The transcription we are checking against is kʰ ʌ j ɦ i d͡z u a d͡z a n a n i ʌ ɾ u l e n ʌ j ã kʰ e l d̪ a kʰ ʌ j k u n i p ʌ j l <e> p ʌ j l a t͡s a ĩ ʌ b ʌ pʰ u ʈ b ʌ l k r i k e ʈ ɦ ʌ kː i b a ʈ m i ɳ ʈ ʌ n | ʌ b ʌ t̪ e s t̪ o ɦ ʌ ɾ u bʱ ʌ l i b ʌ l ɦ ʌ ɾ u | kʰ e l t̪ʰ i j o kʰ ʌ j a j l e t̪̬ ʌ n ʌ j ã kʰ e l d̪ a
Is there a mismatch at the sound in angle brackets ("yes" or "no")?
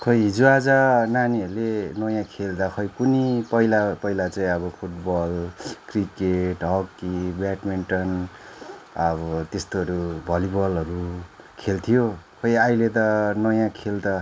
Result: yes